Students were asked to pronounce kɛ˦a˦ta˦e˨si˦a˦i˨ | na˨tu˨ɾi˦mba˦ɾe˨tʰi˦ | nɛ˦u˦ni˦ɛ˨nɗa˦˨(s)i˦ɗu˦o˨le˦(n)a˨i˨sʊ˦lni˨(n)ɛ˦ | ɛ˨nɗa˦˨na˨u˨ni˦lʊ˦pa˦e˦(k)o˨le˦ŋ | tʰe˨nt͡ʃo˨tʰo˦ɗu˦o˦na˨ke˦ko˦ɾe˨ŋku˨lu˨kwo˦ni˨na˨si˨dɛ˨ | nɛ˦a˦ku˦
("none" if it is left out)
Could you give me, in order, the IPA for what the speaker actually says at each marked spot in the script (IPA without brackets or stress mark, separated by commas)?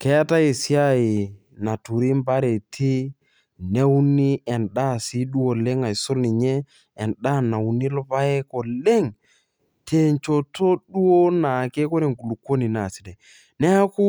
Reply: s, ŋ, ɲ, k